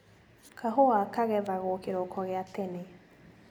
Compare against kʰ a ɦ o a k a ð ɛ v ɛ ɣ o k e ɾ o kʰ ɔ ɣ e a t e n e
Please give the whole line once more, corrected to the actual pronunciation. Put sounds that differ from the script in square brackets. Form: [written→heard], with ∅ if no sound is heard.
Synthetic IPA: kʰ a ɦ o a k a [ð→ɣ] ɛ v [ɛ→a] ɣ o k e ɾ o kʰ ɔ ɣ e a t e n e